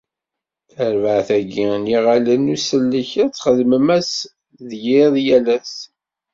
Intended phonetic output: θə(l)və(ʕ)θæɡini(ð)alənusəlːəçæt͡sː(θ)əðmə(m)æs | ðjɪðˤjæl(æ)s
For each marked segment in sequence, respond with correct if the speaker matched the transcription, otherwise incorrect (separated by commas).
incorrect, correct, incorrect, incorrect, correct, correct